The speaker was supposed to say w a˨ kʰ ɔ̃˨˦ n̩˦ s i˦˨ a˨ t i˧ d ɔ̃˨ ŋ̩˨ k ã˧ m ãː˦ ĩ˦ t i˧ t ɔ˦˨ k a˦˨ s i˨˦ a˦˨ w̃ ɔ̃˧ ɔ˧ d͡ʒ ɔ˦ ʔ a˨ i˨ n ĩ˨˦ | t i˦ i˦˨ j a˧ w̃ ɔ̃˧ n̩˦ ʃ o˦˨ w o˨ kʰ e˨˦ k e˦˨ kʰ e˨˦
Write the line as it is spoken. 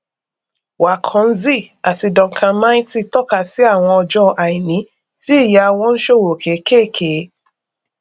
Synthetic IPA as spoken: w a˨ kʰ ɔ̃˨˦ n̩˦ z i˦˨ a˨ t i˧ d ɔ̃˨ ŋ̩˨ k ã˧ m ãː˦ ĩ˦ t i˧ t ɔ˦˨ k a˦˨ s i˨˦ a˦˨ w̃ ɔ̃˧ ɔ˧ d͡ʒ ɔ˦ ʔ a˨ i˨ n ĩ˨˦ | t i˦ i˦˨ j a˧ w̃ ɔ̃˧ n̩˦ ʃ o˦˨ w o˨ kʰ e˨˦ k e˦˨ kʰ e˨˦